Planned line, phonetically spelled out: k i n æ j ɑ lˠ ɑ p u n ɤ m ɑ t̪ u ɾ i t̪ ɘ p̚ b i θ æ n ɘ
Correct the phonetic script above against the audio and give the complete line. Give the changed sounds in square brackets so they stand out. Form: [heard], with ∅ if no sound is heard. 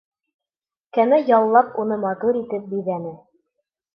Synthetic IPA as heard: k [æ] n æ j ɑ [lˠː] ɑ p u n ɤ m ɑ t̪ u ɾ i t̪ ɘ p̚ b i [ð] æ n ɘ